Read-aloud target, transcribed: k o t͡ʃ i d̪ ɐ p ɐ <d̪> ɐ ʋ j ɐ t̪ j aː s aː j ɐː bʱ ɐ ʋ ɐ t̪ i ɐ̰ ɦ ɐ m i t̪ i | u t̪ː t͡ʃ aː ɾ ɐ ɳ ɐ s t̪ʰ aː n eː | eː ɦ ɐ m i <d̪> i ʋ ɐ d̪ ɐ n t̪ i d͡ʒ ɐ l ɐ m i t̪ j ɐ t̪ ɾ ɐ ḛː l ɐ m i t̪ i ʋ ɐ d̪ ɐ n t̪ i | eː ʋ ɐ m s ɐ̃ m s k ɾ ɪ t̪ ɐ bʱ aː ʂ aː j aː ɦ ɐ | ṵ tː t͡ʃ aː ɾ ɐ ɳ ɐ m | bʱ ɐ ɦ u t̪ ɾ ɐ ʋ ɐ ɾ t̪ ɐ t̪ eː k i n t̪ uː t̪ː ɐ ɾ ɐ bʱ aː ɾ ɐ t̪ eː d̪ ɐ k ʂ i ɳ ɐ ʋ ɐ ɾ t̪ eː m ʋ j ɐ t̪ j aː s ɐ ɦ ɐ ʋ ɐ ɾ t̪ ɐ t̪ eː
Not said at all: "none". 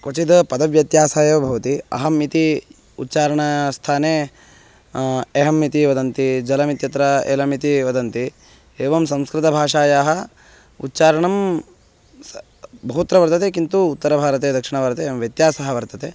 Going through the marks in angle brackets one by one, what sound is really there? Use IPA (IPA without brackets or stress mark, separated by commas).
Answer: d̪, t̪